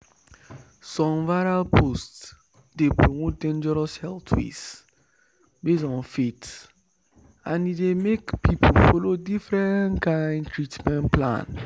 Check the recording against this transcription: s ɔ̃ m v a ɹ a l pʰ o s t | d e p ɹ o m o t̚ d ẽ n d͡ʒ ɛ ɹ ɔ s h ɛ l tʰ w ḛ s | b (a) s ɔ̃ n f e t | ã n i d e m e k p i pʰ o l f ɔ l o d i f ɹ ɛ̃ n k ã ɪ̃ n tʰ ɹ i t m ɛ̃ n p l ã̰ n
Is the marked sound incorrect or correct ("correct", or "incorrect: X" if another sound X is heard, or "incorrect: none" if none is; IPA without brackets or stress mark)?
incorrect: e